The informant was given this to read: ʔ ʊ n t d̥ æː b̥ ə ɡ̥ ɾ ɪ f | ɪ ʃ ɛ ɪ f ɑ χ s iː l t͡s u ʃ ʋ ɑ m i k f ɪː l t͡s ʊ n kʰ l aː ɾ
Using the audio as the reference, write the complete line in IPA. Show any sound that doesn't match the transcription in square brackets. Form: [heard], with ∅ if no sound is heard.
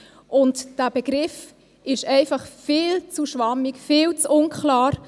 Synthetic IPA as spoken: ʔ ʊ n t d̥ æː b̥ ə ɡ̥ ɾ ɪ f | ɪ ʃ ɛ ɪ f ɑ χ [f] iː l t͡s u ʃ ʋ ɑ m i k f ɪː l t͡s ʊ n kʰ l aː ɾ